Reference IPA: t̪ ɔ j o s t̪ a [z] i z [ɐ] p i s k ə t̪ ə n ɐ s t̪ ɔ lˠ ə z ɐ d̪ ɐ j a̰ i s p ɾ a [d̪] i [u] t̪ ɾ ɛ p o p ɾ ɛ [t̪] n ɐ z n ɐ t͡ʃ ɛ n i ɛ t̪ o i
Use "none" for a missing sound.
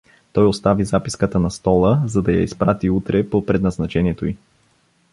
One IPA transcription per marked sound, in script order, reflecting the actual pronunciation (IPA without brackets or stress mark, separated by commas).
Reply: v, a, t̪, u, d̪